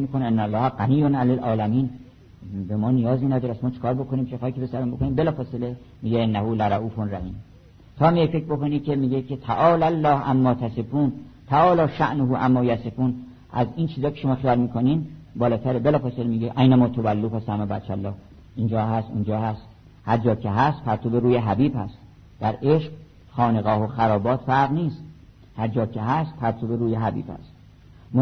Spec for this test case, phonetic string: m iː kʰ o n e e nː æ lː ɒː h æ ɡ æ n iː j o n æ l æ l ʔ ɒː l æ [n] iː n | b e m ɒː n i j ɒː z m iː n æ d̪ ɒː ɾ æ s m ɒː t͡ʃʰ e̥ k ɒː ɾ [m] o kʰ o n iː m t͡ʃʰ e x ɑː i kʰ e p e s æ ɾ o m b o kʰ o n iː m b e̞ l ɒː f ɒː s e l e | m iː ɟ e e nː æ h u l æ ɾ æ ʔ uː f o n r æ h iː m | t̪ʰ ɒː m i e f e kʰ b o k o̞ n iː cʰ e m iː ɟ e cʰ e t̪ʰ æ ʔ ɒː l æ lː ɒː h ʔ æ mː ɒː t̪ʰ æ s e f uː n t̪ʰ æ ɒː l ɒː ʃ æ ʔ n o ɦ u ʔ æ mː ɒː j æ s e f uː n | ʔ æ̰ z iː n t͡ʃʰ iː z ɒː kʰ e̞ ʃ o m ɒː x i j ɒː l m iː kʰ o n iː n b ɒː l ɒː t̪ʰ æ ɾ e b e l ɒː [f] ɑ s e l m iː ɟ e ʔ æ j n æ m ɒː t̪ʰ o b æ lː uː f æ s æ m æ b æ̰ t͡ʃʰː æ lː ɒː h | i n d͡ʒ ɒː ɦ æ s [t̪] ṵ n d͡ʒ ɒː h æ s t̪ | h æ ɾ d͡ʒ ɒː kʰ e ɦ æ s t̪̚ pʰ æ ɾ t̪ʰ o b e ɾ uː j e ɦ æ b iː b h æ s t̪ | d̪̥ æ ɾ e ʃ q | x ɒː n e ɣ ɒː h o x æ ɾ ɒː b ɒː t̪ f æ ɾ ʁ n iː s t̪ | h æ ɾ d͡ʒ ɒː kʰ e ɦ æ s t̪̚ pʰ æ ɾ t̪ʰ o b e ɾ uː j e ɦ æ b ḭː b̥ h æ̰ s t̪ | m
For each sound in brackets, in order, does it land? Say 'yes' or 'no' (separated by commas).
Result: no, no, yes, yes